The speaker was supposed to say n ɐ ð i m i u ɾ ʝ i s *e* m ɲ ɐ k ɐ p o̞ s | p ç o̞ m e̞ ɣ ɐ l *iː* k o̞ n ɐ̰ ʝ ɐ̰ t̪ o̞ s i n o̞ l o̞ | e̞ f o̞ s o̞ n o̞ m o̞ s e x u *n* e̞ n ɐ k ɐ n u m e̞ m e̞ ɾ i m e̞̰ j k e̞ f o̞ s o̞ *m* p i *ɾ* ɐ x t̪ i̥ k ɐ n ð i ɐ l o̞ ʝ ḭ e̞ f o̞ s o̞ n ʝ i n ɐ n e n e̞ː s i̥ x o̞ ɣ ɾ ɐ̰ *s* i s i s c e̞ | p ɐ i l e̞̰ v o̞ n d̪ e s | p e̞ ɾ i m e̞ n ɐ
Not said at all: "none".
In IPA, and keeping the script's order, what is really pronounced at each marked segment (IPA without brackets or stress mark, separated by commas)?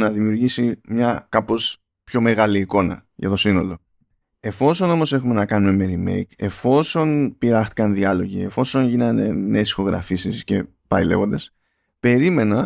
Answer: i, iː, m, n, ɾ, f